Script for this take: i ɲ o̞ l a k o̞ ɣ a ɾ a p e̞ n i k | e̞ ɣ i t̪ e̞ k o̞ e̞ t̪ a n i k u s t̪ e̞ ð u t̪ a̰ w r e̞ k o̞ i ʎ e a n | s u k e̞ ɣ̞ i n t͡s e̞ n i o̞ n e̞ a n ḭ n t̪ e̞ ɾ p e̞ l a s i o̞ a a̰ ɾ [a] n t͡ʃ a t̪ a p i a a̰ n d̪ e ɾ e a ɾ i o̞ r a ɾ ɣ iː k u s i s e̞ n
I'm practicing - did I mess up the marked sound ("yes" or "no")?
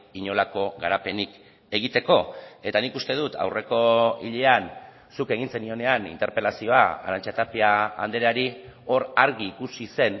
no